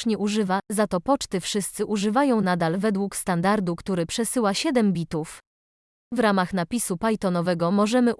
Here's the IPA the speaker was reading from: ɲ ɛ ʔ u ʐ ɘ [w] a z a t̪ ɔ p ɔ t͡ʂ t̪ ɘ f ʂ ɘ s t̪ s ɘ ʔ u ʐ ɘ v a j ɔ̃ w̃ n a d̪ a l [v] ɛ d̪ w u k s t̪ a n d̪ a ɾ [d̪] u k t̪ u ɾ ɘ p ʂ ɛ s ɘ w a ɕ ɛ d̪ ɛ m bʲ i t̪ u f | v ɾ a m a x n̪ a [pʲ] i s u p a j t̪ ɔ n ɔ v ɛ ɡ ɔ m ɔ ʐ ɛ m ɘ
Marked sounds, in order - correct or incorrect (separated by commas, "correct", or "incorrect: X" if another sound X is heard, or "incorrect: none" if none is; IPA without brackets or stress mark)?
incorrect: v, correct, correct, correct